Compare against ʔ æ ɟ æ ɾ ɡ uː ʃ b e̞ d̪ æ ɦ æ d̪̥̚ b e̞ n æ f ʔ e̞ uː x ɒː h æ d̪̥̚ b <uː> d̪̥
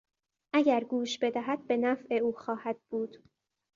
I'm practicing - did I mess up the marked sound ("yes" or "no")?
no